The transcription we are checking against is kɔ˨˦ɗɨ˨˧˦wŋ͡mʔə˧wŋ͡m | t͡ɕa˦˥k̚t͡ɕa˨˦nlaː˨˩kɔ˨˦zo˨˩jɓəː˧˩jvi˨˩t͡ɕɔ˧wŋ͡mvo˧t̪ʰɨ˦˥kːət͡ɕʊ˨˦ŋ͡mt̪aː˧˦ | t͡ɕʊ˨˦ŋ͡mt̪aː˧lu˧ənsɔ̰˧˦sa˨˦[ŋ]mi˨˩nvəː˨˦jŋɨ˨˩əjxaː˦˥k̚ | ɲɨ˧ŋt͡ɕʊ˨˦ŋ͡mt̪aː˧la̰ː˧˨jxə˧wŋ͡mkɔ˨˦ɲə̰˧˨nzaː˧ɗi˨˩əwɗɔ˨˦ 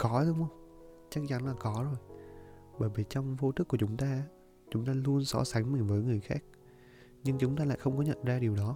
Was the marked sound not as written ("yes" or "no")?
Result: no